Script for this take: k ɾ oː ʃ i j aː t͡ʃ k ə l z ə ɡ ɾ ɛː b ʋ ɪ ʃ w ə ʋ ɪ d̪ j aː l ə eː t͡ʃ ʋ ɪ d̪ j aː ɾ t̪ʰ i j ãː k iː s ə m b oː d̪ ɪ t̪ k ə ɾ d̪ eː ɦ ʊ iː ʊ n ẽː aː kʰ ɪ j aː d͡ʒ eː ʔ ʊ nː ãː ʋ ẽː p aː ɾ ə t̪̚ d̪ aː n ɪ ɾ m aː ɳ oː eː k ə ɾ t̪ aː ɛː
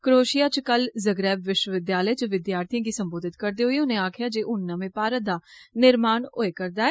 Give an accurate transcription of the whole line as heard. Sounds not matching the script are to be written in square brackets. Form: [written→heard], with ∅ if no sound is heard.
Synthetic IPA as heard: k ɾ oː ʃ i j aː t͡ʃ k ə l z ə ɡ ɾ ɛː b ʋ ɪ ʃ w ə ʋ ɪ d̪ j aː l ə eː t͡ʃ ʋ ɪ d̪ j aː ɾ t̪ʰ i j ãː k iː s ə m b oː d̪ ɪ t̪ k ə ɾ d̪ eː ɦ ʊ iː ʊ n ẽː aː kʰ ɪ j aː d͡ʒ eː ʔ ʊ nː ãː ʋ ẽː p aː ɾ ə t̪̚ d̪ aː n ɪ ɾ m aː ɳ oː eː k ə ɾ [t̪→d̪] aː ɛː